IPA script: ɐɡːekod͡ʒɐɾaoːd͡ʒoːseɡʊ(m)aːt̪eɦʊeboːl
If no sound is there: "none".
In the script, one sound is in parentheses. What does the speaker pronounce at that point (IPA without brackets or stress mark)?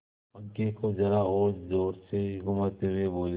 m